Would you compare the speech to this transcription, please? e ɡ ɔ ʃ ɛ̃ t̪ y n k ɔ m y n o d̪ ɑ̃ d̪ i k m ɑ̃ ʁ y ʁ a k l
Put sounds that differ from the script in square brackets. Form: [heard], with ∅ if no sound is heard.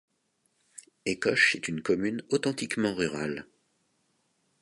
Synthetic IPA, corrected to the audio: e [k] ɔ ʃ [ɛ] t̪ y n k ɔ m y n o [t̪] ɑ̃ [t̪] i k m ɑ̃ ʁ y ʁ a [∅] l